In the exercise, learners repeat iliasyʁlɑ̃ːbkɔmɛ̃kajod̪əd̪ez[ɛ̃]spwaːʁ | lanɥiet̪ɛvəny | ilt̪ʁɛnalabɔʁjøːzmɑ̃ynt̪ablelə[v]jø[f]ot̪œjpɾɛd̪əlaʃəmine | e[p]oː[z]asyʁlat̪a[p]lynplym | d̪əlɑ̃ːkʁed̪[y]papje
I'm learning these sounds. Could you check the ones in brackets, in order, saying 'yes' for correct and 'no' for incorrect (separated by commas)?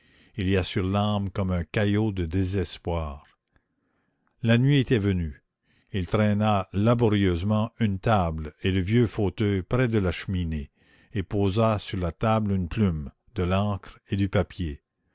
no, yes, yes, yes, yes, no, yes